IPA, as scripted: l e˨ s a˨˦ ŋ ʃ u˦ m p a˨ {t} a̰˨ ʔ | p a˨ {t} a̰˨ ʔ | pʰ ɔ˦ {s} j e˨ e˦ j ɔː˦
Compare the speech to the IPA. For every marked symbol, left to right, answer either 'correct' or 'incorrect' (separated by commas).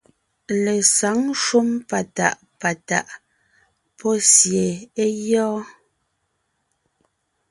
correct, correct, correct